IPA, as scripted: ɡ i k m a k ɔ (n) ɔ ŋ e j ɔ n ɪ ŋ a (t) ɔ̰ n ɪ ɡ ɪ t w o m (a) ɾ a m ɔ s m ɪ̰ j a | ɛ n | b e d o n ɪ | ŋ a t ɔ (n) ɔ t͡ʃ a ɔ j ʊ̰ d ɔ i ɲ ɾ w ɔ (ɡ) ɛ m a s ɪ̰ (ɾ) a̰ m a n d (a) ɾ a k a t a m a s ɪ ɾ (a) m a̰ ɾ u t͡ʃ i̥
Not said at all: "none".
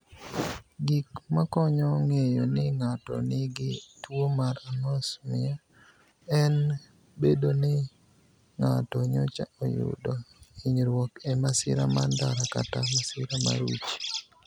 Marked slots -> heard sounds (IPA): ɲ, t, a, ɲ, k, ɾ, a, a

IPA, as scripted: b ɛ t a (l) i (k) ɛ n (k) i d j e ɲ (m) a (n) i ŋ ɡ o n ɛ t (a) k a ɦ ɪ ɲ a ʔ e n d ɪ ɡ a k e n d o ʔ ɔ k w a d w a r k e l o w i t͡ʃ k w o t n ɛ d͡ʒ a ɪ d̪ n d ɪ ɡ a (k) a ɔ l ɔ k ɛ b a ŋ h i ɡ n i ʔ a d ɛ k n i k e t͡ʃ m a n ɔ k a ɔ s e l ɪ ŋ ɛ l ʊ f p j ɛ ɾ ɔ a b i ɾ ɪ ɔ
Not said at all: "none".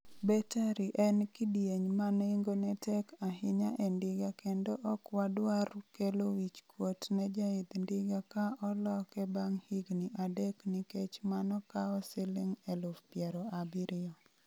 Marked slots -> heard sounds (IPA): ɾ, ʔ, k, m, n, ɛ, k

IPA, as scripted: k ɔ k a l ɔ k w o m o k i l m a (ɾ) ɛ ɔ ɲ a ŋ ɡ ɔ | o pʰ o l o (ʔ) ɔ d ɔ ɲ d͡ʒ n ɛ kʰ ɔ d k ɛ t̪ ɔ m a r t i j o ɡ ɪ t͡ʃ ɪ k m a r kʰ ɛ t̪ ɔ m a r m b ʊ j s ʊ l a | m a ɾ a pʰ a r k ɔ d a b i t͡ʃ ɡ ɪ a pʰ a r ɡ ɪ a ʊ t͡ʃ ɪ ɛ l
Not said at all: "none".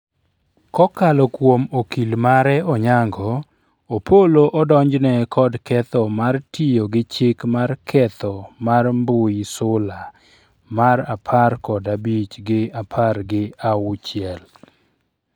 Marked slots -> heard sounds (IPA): ɾ, ʔ

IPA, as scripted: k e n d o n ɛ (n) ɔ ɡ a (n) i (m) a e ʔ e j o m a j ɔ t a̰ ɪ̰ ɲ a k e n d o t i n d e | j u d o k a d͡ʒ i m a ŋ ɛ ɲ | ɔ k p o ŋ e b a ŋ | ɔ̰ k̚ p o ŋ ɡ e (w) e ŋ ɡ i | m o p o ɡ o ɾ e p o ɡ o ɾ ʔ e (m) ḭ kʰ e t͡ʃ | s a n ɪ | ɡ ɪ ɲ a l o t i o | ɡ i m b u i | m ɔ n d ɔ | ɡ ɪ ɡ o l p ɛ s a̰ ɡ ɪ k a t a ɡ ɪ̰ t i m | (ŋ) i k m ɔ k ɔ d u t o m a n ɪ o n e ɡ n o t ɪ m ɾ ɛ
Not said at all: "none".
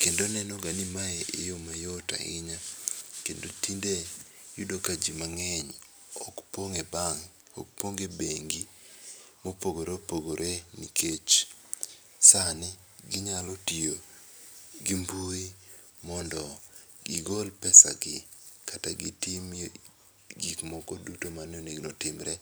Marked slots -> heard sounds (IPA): n, n, m, b, n, ɡ

